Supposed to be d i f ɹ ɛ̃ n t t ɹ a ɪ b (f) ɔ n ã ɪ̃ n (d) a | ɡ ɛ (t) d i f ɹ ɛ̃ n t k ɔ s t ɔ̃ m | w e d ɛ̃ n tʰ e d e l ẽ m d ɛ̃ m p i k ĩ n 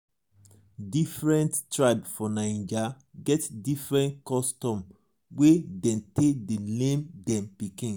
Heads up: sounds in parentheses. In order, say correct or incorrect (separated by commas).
correct, incorrect, correct